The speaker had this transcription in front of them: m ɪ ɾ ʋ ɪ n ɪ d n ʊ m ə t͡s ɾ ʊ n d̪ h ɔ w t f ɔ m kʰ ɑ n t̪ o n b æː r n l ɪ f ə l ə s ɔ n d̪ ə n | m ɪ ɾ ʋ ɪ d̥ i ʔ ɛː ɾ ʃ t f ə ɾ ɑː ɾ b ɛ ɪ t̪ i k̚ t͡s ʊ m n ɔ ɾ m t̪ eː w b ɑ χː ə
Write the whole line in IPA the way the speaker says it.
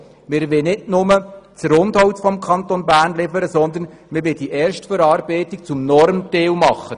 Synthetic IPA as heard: m ɪ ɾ ʋ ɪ n ɪ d n ʊ m ə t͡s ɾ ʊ n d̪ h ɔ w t f ɔ m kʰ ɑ n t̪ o n b æː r n l ɪ f ə ɾ ə s ɔ n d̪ ə n | m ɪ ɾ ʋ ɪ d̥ i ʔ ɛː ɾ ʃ t f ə ɾ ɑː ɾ b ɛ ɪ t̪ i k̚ t͡s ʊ m n ɔ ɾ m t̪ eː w m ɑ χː ə